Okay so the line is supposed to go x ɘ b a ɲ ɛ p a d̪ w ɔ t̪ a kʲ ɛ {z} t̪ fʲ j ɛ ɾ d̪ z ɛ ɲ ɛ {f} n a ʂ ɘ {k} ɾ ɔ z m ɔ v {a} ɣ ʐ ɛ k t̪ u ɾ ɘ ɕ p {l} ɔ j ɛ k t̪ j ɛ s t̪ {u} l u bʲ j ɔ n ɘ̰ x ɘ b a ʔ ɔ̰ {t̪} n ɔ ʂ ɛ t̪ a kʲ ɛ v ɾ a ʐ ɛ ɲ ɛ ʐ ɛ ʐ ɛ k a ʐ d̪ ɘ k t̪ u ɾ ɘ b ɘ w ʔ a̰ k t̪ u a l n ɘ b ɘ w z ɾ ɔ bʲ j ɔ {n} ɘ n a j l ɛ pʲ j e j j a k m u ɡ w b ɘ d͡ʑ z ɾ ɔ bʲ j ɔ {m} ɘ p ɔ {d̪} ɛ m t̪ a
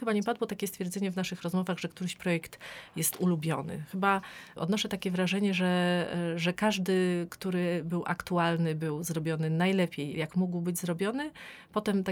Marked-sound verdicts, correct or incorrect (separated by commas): incorrect, incorrect, incorrect, correct, incorrect, correct, incorrect, correct, incorrect, incorrect